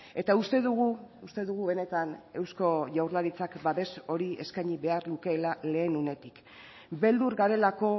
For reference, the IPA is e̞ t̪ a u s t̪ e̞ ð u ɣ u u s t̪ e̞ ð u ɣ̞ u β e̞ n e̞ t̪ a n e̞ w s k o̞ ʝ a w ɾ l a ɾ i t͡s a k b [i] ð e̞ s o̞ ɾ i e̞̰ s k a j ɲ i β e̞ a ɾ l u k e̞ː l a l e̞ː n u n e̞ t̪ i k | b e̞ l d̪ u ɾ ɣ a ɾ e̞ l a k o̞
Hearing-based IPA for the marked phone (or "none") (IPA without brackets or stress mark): a